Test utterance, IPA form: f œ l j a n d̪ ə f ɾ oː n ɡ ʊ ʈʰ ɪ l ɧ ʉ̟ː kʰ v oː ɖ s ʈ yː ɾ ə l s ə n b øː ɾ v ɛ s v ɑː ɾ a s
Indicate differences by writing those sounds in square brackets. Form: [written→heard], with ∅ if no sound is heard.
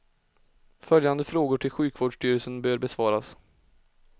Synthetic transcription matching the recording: f œ l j a n d̪ ə f ɾ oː [n→∅] ɡ ʊ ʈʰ ɪ l ɧ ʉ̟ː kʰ v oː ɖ [s→ʂ] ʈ yː ɾ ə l s ə n b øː ɾ [v→b] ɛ s v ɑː ɾ a s